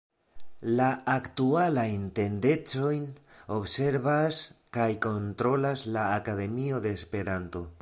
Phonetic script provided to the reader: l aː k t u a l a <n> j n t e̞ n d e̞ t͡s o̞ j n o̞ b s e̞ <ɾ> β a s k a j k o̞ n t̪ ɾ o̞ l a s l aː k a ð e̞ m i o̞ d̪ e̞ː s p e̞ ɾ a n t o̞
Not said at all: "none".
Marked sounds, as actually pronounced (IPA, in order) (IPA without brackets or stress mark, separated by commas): none, ɾ